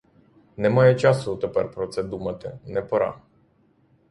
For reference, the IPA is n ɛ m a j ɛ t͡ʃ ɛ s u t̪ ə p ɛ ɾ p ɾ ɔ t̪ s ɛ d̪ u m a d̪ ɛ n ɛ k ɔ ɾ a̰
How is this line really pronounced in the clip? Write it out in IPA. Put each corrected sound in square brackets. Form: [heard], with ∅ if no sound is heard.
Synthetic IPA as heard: n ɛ m a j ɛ t͡ʃ [a] s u t̪ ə p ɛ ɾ p ɾ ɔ t̪ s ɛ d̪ u m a [t̪] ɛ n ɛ [p] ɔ ɾ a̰